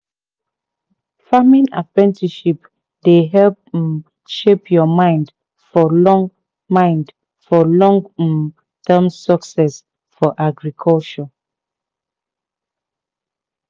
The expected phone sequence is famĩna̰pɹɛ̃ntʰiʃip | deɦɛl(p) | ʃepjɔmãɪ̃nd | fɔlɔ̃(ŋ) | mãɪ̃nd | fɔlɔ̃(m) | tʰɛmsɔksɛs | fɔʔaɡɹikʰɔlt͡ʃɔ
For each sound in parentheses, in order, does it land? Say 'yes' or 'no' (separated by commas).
yes, yes, no